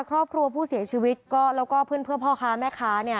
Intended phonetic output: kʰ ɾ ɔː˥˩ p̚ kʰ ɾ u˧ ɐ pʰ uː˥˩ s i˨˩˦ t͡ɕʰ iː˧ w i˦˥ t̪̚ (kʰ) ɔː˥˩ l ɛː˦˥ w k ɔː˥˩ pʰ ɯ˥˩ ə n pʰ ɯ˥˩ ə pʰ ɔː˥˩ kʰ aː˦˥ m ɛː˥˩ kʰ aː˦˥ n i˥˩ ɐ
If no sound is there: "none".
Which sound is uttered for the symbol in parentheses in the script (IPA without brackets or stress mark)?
k